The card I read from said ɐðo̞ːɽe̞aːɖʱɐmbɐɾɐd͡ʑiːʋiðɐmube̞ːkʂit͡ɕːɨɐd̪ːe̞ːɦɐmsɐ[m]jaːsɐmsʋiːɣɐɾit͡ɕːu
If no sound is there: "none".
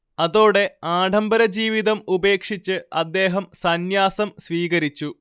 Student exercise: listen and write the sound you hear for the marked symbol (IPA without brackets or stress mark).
n